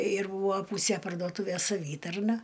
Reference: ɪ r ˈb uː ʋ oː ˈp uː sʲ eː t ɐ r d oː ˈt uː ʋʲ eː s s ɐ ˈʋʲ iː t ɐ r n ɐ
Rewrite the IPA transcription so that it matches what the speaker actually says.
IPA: ɪ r ˈb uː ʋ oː ˈp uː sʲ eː p ɐ r d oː ˈt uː ʋʲ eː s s ɐ ˈʋʲ iː t ɐ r n ɐ

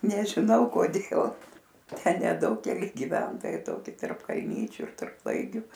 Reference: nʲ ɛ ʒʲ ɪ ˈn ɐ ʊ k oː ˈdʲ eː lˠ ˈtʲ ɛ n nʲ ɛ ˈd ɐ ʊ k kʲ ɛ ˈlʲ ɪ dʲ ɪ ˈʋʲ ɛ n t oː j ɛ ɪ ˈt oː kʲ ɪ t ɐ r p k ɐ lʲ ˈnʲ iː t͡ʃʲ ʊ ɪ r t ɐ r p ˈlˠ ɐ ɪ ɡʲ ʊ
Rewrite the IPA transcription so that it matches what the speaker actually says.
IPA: nʲ ɛ ʒʲ ɪ ˈn ɐ ʊ k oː ˈdʲ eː lˠ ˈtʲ ɛ n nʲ ɛ ˈd ɐ ʊ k kʲ ɛ ˈlʲ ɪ ɡʲ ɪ ˈʋʲ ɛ n t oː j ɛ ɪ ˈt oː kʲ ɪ t ɐ r p k ɐ lʲ ˈnʲ iː t͡ʃʲ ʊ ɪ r t ɐ r p ˈlˠ ɐ ɪ ɡʲ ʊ

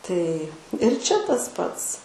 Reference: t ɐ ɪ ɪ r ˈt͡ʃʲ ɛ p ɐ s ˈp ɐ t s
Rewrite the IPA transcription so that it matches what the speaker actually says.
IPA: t ɐ ɪ ɪ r ˈt͡ʃʲ ɛ t ɐ s ˈp ɐ t s

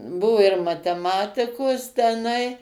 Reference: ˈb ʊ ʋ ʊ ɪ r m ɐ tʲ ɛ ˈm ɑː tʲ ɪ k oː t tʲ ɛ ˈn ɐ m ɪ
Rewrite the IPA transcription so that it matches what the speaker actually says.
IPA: ˈb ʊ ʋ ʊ ɪ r m ɐ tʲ ɛ ˈm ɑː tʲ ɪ k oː s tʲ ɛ ˈn ɐ ɪ

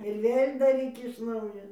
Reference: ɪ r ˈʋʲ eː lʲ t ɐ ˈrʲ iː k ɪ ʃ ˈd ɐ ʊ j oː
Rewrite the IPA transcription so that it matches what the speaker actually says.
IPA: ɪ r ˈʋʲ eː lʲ d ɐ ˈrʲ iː k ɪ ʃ ˈn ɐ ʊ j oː

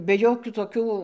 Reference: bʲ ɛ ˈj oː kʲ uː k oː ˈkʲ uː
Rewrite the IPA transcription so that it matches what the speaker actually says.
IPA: bʲ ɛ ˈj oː kʲ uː t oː ˈkʲ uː

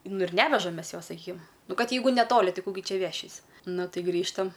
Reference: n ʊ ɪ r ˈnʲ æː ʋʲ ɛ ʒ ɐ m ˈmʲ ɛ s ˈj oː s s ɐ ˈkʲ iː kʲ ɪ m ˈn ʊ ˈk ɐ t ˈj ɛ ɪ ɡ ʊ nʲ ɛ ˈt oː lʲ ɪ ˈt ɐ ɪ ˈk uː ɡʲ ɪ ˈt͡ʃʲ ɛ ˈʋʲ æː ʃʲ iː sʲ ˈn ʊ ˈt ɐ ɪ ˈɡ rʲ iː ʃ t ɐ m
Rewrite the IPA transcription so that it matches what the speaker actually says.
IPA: n ʊ ɪ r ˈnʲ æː ʋʲ ɛ ʒ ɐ m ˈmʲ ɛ s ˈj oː s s ɐ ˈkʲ iː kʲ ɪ m ˈn ʊ ˈk ɐ t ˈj ɛ ɪ ɡ ʊ nʲ ɛ ˈt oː lʲ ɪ ˈt ɐ ɪ ˈk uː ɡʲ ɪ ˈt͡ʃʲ ɛ ˈʋʲ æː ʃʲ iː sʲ ˈn ʊ ˈt ɐ ɪ ˈɡ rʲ iː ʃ t ɐ m

